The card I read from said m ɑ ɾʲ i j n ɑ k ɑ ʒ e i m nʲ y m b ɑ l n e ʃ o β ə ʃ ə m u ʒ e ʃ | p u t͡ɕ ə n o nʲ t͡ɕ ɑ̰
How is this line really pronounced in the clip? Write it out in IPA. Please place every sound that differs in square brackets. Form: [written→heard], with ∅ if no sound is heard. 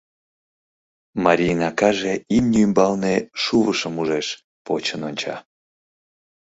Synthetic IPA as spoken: m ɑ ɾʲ i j n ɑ k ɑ ʒ e i m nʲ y m b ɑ l n e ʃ [o→u] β ə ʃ ə m u ʒ e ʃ | p [u→o] t͡ɕ ə n o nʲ t͡ɕ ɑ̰